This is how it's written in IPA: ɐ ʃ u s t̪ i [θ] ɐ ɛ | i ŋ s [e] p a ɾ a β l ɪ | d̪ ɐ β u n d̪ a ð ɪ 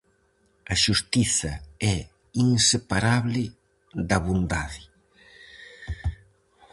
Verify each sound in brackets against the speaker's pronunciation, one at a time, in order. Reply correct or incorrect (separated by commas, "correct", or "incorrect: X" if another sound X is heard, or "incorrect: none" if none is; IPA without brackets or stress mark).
correct, correct